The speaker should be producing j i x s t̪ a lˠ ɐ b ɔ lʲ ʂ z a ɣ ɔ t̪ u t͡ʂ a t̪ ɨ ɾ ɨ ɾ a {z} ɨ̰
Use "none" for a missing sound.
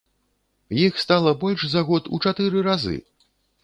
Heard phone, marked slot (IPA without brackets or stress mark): z